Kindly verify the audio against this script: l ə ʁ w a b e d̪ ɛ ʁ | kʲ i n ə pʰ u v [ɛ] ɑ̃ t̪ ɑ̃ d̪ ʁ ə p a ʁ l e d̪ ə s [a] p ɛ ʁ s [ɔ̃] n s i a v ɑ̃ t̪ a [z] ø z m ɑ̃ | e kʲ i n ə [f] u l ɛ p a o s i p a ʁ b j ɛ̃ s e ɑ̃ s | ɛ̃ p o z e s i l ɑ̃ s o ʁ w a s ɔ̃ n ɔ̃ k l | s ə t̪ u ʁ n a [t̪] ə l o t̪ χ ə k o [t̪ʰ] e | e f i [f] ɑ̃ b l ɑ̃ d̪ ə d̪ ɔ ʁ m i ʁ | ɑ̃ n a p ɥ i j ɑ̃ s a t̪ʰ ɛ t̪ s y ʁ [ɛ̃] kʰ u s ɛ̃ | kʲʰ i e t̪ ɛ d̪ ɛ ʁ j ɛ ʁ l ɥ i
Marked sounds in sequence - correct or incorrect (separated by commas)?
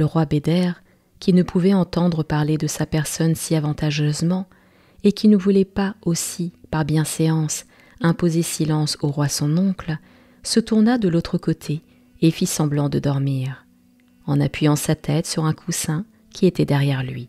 correct, correct, incorrect, incorrect, incorrect, incorrect, correct, incorrect, correct